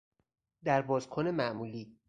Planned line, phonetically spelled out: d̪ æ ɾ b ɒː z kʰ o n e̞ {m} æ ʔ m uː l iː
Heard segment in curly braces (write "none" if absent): m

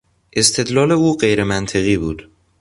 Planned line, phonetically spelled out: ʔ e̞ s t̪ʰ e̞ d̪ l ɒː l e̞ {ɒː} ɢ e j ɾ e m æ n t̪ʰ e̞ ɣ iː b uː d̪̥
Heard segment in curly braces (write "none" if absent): uː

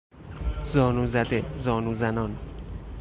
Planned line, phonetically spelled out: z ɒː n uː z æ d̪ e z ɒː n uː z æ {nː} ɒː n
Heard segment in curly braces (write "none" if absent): n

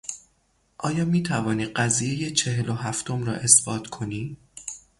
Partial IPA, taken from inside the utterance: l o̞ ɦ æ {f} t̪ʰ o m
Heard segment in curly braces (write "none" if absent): f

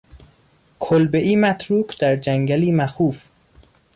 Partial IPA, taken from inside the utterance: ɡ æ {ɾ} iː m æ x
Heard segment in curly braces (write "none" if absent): l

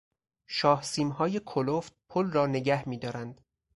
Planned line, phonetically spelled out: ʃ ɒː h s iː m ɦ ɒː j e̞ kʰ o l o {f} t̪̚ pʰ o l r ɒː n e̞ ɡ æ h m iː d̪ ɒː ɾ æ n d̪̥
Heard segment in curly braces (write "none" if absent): f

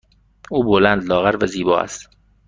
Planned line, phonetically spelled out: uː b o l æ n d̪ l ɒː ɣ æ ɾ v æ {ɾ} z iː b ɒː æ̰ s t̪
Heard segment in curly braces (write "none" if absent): none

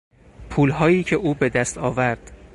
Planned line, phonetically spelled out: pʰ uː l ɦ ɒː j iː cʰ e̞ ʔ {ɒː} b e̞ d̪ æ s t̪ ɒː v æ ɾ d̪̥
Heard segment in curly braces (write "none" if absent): uː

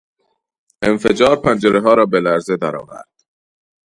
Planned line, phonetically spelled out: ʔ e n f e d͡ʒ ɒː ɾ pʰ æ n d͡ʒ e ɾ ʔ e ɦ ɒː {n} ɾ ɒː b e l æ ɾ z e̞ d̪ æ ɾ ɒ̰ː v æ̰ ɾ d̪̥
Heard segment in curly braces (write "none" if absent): none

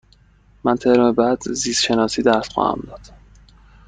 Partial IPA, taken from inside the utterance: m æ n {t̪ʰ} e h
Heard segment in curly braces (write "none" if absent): t̪ʰ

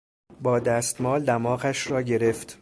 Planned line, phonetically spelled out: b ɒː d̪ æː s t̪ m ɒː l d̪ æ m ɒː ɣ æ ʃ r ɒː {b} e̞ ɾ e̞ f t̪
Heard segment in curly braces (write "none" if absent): ɟ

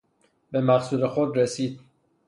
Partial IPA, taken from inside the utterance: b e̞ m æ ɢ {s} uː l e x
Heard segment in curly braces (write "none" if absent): s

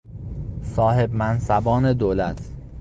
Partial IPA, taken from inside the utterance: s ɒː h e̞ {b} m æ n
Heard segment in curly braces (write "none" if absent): b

